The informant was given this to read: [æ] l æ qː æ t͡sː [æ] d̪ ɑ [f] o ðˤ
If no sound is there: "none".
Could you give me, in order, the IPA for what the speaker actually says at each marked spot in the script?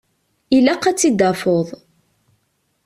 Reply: i, i, f

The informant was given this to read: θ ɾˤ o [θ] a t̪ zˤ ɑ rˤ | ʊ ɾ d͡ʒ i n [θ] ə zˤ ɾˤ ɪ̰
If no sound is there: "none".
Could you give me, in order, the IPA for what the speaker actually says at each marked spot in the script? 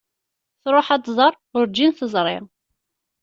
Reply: ħ, θ

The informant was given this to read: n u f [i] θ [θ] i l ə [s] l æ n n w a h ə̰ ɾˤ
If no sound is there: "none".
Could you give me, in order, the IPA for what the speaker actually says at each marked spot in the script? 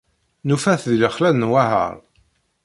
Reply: æ, ð, χ

